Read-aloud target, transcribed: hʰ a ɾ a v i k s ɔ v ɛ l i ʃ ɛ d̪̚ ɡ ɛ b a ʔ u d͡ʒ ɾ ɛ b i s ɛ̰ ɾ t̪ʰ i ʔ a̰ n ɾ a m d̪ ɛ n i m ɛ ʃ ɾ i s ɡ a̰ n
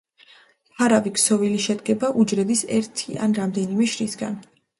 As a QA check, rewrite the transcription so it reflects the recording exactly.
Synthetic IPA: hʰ a ɾ a v i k s ɔ v i l i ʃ ɛ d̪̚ ɡ ɛ b a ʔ u d͡ʒ ɾ ɛ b i s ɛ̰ ɾ t̪ʰ i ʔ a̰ n ɾ a m d̪ ɛ n i m ɛ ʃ ɾ i s ɡ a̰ n